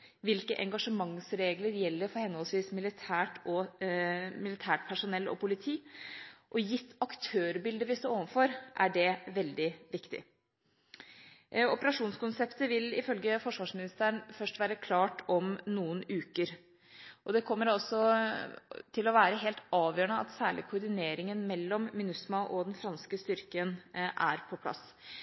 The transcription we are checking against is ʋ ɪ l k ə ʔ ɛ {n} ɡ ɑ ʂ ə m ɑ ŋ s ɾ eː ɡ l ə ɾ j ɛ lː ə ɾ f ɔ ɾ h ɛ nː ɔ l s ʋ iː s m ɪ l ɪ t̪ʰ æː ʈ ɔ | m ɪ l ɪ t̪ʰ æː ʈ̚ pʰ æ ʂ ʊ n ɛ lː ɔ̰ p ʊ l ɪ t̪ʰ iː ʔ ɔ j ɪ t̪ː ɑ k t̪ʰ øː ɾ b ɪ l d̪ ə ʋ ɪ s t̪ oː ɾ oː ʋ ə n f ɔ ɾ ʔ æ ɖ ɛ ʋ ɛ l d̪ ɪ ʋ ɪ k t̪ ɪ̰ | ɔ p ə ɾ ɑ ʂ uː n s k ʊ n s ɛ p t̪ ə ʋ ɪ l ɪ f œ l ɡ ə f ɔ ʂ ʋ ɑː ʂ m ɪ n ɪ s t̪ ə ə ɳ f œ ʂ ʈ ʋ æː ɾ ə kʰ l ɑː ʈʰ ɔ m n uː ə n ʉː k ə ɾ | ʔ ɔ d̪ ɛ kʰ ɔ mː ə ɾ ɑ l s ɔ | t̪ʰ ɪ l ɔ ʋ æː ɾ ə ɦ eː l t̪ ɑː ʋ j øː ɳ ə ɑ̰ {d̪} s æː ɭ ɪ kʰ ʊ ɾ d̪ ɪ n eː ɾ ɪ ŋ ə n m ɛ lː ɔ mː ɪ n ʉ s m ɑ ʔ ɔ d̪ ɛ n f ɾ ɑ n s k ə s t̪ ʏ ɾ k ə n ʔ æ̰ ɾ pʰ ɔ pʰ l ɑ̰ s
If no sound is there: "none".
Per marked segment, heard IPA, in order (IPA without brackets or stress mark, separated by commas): ŋ, t̪